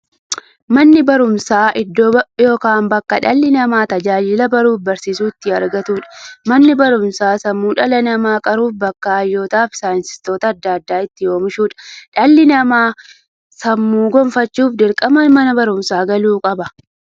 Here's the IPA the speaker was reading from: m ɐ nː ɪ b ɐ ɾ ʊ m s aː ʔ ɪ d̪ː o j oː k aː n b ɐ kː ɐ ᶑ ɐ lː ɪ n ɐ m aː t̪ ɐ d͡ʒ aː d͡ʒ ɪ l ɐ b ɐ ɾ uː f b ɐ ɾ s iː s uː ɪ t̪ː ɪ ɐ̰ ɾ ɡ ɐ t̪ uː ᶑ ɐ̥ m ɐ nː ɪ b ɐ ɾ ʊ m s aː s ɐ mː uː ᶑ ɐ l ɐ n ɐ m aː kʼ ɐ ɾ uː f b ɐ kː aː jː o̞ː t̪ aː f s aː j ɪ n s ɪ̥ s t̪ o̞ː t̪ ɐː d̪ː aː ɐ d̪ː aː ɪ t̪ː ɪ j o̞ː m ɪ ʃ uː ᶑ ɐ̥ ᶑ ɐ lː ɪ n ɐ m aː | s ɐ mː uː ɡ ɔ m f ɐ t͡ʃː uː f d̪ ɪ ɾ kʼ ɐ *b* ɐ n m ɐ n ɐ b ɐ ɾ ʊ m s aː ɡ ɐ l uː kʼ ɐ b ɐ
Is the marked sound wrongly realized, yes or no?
yes